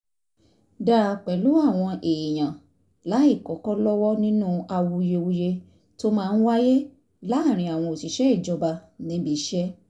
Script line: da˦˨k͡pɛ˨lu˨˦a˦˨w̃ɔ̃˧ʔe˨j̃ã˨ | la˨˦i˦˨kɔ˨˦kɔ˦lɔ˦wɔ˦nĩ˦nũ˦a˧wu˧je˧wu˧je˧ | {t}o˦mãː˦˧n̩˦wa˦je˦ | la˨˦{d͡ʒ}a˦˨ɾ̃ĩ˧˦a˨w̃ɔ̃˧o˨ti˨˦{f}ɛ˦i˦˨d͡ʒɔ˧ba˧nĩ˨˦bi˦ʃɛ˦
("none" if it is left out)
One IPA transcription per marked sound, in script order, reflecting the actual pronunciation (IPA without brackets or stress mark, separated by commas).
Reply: t, none, ʃ